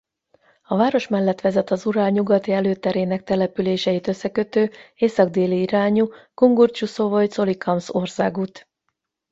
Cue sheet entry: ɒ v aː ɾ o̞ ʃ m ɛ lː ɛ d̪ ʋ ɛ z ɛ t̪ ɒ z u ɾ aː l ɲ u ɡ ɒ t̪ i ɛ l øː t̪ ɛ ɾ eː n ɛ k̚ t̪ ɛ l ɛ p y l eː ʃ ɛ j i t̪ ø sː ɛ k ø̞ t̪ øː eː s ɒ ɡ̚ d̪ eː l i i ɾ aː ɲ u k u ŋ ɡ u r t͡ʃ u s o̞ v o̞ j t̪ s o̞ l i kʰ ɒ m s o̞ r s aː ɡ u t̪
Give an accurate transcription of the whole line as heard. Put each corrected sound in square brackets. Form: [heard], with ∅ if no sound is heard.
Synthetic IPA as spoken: ɒ v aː ɾ o̞ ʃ m ɛ lː ɛ [t̪] ʋ ɛ z ɛ t̪ ɒ z u ɾ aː l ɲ u ɡ ɒ t̪ i ɛ l øː t̪ ɛ ɾ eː n ɛ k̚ t̪ ɛ l ɛ p y l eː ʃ ɛ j i t̪ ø sː ɛ k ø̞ t̪ øː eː s ɒ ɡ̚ d̪ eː l i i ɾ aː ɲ u k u ŋ ɡ u r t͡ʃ u s o̞ v o̞ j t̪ s o̞ l i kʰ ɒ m s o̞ r s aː ɡ u t̪